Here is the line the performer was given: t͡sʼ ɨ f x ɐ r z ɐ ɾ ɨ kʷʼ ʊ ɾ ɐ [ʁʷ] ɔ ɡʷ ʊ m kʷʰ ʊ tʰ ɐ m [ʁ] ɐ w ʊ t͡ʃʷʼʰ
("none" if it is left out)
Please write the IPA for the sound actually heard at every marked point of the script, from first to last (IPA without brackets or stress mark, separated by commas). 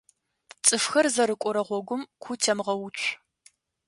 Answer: ʁʷ, ʁ